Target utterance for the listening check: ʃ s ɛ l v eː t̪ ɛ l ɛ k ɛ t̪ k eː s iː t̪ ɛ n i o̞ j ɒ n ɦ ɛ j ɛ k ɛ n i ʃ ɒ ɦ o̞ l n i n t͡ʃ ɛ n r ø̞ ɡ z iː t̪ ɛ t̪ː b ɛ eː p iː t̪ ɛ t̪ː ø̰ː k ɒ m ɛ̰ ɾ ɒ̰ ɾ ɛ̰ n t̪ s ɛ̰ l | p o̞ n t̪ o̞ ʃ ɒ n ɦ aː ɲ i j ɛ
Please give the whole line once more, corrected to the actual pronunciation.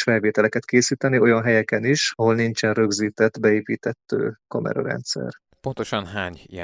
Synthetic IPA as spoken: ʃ f ɛ l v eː t̪ ɛ l ɛ k ɛ t̪ k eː s iː t̪ ɛ n i o̞ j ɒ n ɦ ɛ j ɛ k ɛ n i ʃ ɒ ɦ o̞ l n i n t͡ʃ ɛ n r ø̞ ɡ z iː t̪ ɛ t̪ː b ɛ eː p iː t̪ ɛ t̪ː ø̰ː k ɒ m ɛ̰ ɾ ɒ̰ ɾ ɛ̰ n t̪ s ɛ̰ r | p o̞ n t̪ o̞ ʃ ɒ n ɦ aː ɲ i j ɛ